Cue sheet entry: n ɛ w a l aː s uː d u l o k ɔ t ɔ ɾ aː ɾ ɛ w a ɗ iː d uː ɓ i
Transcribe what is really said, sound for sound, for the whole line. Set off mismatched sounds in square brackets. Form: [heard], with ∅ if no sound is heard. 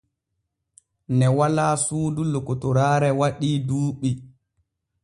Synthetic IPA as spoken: n ɛ w a l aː s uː d u l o k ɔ t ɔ ɾ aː ɾ ɛ w a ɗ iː d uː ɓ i